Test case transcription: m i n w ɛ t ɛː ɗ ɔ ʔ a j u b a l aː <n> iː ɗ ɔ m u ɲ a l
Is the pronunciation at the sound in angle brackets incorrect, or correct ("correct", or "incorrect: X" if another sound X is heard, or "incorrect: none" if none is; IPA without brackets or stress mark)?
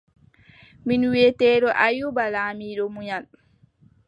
incorrect: m